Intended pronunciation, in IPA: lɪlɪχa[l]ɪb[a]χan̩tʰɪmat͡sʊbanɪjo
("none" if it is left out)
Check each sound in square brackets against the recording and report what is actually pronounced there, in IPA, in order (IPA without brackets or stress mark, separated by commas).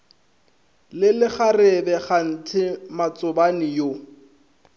r, ɛ